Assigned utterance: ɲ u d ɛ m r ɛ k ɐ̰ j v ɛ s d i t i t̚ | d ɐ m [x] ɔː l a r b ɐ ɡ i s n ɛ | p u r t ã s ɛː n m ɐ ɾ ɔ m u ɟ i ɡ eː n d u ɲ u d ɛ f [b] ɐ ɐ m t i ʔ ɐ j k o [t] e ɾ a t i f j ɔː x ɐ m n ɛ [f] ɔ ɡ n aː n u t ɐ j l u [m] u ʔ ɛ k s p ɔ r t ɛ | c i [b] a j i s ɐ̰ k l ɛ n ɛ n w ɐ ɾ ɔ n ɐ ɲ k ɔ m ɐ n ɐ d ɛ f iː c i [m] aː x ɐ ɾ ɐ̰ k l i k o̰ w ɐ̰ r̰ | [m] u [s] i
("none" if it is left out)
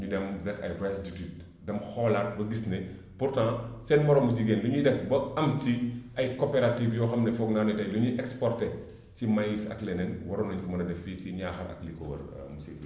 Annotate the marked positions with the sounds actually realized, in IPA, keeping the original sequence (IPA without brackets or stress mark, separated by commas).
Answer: x, b, p, f, ɲ, m, ɲ, m, s